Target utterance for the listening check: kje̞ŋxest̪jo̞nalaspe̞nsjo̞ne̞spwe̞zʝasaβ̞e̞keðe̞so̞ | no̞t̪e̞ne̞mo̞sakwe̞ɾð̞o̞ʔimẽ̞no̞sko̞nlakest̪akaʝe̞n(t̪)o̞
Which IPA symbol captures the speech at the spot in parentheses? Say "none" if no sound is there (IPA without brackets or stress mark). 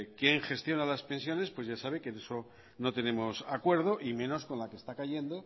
d̪